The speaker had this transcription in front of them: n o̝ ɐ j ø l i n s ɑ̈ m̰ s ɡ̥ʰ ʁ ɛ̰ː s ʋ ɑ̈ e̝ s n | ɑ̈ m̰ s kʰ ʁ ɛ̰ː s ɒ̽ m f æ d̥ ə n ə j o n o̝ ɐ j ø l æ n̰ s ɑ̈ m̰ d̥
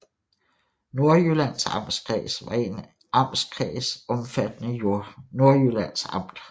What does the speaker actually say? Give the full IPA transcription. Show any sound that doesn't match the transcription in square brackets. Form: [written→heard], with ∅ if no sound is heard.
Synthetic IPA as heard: n o̝ ɐ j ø l [i→æ] n s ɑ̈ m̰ s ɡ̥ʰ ʁ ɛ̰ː s ʋ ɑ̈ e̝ [s→∅] n | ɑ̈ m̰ s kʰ ʁ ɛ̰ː s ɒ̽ m f æ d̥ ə n ə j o n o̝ ɐ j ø l æ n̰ s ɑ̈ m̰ d̥

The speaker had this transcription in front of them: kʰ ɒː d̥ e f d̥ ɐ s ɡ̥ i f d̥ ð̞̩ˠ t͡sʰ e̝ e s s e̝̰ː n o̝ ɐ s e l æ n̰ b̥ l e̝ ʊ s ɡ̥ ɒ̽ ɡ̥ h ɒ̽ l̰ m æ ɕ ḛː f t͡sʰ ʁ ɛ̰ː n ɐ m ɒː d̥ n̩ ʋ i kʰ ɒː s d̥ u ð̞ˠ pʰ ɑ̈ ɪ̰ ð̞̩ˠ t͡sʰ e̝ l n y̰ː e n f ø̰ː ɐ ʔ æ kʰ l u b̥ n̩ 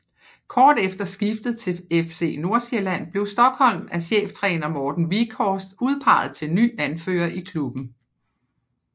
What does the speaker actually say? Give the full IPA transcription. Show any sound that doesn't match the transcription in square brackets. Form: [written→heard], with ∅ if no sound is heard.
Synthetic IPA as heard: kʰ ɒː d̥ e f d̥ ɐ s ɡ̥ i f d̥ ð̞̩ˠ t͡sʰ e̝ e [s→f] s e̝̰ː n o̝ ɐ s e l æ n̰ b̥ l e̝ ʊ s [ɡ̥→d̥] ɒ̽ ɡ̥ h ɒ̽ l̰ m æ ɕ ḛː f t͡sʰ ʁ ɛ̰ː n ɐ m ɒː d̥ n̩ ʋ i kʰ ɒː s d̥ u ð̞ˠ pʰ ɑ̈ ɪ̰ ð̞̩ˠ t͡sʰ e̝ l n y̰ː [e→æ] n f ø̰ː ɐ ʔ [æ→i] kʰ l u b̥ n̩

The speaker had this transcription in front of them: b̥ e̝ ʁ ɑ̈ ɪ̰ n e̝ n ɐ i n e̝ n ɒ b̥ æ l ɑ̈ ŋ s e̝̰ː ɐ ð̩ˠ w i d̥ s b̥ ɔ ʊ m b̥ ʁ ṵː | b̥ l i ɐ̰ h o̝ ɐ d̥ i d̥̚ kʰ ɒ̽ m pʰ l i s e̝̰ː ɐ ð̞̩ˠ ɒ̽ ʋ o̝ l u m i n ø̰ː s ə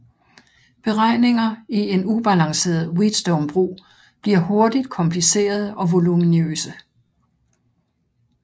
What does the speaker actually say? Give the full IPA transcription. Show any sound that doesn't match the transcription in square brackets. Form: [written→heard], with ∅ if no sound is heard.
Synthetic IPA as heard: b̥ e̝ ʁ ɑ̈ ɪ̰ n e̝ [n→ŋ] ɐ i [n→∅] e̝ n [ɒ→u] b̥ æ l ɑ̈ ŋ s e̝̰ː ɐ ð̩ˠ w i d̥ s [b̥→d̥] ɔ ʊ m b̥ ʁ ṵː | b̥ l i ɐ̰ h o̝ ɐ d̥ i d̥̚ kʰ ɒ̽ m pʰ l i s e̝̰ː ɐ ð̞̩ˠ ɒ̽ ʋ o̝ l u m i n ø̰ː s ə

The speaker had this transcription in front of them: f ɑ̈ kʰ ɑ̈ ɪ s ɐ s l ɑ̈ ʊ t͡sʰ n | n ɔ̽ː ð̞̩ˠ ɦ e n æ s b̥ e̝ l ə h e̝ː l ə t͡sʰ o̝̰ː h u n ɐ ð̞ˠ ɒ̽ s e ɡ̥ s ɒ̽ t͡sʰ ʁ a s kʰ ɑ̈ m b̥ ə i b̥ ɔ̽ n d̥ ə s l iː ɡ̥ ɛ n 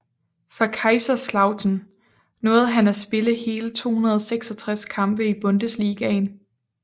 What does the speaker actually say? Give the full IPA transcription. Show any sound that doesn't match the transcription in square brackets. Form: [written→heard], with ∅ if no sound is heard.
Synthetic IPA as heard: f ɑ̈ kʰ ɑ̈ ɪ s ɐ s l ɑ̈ ʊ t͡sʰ n | n ɔ̽ː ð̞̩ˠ ɦ [e→æ] n æ s b̥ e̝ l ə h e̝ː l ə t͡sʰ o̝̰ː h u n ɐ ð̞ˠ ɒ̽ s e ɡ̥ s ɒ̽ t͡sʰ ʁ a s kʰ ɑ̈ m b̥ ə i b̥ ɔ̽ n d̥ ə s l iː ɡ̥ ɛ n

